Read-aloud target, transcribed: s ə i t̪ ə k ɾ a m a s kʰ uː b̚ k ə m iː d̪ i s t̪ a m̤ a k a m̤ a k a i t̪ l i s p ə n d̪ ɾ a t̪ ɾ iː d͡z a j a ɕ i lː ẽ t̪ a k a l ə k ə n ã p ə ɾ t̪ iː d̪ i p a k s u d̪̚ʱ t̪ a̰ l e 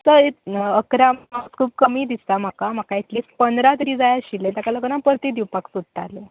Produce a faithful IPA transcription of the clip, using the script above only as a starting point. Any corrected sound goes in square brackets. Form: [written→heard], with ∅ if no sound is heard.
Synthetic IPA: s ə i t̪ ə k ɾ a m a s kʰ uː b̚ k ə m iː d̪ i s t̪ a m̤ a k a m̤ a k a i t̪ l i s p ə n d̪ ɾ a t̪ ɾ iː d͡z a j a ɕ i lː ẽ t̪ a k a l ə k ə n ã p ə ɾ t̪ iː d̪ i p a k s u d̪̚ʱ t̪ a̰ l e

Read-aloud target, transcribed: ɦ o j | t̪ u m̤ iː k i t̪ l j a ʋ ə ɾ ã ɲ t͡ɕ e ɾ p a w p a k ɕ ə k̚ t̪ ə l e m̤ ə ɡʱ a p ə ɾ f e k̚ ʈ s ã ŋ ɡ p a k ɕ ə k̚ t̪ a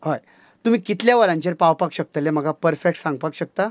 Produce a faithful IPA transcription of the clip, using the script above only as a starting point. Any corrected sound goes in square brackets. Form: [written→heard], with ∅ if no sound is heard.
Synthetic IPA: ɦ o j | t̪ u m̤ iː k i t̪ l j a ʋ ə ɾ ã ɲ t͡ɕ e ɾ p a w p a k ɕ ə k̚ t̪ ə l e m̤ ə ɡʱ a p ə ɾ f e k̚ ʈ s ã ŋ ɡ p a k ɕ ə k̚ t̪ a

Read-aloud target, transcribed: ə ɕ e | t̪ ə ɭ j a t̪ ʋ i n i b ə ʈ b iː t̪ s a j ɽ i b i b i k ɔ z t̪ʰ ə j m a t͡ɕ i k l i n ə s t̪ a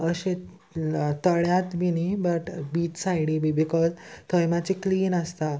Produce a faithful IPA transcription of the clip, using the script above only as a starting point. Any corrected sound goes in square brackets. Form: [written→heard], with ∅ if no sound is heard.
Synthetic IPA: ə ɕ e | t̪ ə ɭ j a t̪ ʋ i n i b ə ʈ b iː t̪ s a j ɽ i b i b i k ɔ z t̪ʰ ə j m a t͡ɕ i k l [i→iː] n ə s t̪ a

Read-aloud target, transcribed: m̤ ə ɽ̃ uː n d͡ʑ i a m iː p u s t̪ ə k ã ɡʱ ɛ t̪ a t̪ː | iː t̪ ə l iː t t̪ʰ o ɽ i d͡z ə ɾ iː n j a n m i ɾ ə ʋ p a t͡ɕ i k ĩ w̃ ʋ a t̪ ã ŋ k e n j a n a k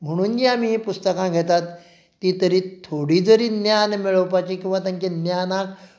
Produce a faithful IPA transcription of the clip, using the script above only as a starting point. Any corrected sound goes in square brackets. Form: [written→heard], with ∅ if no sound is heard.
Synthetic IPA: m̤ ə ɽ̃ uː n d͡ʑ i a m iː p u s t̪ ə k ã ɡʱ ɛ t̪ a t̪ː | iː t̪ ə [l→ɾ] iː t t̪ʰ o ɽ i d͡z ə ɾ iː n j a n m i [ɾ→ɭ] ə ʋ p a t͡ɕ i k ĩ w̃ ʋ a t̪ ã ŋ k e n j a n a k

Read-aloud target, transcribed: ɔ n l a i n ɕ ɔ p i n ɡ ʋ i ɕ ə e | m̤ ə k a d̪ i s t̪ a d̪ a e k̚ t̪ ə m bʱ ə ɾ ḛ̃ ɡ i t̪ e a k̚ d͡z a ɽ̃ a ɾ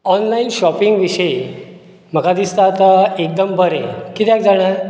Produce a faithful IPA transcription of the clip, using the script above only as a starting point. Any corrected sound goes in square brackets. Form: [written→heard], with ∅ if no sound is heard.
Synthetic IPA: ɔ n l a i n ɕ ɔ p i [n→ŋ] ɡ ʋ i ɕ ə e | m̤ ə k a d̪ i s t̪ a [d̪→t̪] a e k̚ [t̪→d̪] ə m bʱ ə ɾ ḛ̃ [ɡ→k] i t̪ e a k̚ d͡z a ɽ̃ a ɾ

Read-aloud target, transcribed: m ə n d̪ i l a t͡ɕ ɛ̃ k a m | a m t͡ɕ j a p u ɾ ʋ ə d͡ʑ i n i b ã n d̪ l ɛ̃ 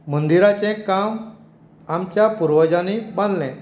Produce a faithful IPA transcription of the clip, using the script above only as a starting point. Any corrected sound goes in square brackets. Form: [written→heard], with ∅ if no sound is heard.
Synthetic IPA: m ə n d̪ i [l→ɾ] a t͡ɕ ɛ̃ k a m | a m t͡ɕ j a p u ɾ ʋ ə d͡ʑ [i→a] n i b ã n d̪ l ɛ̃

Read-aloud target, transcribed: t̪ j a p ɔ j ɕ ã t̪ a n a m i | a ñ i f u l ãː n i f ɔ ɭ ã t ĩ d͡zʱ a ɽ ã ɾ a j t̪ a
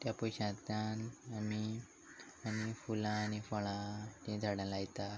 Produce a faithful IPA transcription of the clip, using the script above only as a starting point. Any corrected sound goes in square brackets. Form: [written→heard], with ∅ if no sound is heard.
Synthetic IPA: t̪ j a p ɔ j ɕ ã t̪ a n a m i | a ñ i f u l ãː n i f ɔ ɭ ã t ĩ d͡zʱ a ɽ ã [ɾ→l] a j t̪ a

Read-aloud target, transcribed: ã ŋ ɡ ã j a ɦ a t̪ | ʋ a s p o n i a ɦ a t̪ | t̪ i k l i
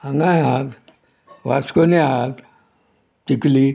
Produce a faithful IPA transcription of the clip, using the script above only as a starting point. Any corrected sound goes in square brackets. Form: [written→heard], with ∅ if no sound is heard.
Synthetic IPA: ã ŋ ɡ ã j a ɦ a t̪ | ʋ a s [p→k] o n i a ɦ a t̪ | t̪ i k l i

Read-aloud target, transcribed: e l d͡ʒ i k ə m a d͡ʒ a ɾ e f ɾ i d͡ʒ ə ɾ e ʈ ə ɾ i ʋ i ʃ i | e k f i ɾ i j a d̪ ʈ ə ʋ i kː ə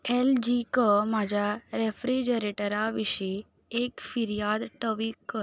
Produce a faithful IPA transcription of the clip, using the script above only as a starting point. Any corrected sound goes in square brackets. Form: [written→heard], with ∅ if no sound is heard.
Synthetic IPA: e l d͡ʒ i k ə m a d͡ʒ a ɾ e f ɾ i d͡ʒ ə ɾ e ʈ ə ɾ [i→a] ʋ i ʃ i | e k f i ɾ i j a d̪ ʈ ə ʋ i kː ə

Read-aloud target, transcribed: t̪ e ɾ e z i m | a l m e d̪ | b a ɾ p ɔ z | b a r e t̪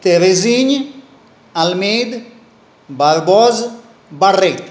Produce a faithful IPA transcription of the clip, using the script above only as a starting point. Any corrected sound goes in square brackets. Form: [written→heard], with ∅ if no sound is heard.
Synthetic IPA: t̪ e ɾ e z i [m→ɲ] | a l m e d̪ | b a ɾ [p→b] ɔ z | b a r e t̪

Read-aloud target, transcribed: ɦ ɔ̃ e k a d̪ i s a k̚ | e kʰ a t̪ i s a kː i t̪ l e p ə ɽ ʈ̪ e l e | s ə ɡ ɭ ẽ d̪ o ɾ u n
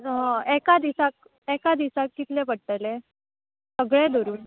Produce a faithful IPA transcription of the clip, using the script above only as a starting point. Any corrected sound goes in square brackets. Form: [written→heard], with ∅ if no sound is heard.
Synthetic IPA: ɦ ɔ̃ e k a d̪ i s a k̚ | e [kʰ→k] a [t̪→d̪] i s a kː i t̪ l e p ə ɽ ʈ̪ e l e | s ə ɡ ɭ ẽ d̪ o ɾ [u→uː] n

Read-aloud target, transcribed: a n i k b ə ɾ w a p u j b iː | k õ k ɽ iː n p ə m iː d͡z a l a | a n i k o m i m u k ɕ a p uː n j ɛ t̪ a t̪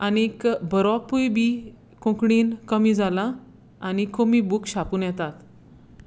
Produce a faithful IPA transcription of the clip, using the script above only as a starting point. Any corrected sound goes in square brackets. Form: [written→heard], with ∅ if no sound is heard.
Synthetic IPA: a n i k b ə ɾ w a p u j b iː | k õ k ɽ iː n [p→k] ə m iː d͡z a l a | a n i k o m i [m→b] u k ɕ a p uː n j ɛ t̪ a t̪

